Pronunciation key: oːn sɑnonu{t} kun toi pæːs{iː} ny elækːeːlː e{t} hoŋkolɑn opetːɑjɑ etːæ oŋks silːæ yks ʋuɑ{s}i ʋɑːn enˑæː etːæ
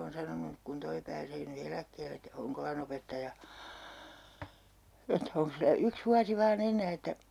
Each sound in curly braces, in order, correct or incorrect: incorrect, incorrect, correct, correct

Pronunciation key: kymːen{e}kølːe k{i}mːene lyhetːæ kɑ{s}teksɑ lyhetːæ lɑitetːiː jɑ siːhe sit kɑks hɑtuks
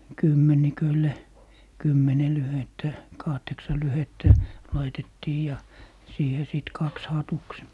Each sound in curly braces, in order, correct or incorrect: incorrect, incorrect, incorrect

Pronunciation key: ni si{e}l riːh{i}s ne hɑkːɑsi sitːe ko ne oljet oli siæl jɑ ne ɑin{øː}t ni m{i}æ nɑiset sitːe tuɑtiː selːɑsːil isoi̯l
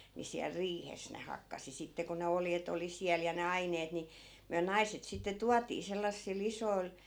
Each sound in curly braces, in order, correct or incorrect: incorrect, incorrect, incorrect, incorrect

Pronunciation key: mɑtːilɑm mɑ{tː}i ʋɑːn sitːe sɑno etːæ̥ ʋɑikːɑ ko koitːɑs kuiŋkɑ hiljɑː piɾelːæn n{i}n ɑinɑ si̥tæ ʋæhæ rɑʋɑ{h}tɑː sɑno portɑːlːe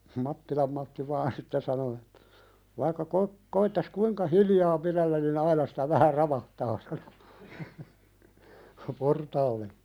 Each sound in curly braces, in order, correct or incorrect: correct, correct, correct

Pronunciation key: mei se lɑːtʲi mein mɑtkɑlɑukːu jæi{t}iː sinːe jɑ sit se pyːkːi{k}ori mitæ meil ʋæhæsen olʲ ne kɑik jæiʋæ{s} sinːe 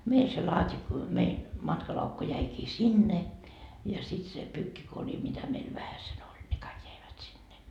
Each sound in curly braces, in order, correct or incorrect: incorrect, correct, incorrect

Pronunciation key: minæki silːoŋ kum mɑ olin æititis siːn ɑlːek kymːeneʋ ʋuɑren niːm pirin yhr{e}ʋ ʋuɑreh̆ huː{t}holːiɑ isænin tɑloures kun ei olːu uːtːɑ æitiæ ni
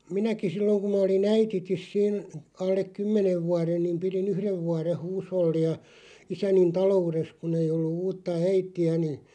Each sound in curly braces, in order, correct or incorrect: correct, incorrect

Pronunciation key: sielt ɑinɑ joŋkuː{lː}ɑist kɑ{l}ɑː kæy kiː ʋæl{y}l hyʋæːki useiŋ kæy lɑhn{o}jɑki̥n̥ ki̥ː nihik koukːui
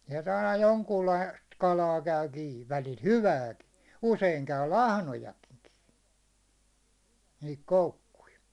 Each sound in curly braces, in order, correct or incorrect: correct, correct, incorrect, correct

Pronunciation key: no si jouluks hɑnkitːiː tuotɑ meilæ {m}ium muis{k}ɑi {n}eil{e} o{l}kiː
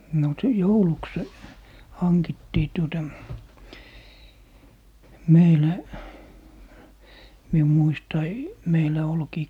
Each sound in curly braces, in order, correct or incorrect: correct, incorrect, incorrect, incorrect, correct

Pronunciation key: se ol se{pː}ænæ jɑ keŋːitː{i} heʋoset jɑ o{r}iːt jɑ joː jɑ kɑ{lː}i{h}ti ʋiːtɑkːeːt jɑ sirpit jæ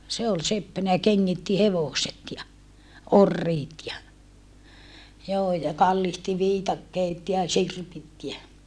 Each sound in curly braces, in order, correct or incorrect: correct, correct, incorrect, correct, correct

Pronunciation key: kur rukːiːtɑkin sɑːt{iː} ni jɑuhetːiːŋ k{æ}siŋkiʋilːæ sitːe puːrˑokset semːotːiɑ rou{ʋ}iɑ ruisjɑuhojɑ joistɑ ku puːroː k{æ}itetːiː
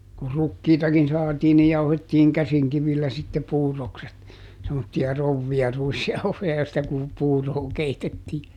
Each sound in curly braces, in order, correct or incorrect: correct, correct, incorrect, incorrect

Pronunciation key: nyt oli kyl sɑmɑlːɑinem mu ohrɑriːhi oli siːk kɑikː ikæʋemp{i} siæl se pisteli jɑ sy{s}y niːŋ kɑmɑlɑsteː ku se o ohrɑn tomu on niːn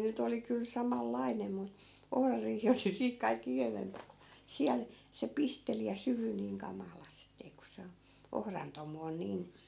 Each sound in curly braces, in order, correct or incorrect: incorrect, incorrect

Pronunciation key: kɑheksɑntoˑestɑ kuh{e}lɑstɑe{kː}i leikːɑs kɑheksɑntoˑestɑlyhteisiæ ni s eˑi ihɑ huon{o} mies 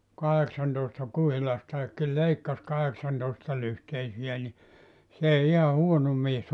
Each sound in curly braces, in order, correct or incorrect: incorrect, correct, correct

